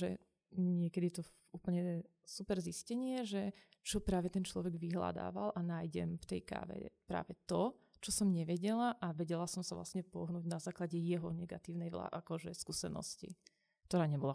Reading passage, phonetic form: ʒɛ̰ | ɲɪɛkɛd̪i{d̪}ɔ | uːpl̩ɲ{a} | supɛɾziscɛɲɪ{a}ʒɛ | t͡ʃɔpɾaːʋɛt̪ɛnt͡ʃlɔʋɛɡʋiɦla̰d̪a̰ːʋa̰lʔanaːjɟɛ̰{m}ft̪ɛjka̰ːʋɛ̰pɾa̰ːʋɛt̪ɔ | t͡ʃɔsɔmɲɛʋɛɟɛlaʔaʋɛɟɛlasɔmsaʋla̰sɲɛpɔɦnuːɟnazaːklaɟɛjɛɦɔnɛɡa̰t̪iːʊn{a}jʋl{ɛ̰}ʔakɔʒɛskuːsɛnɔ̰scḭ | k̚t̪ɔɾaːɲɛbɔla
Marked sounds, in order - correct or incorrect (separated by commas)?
incorrect, incorrect, incorrect, correct, incorrect, incorrect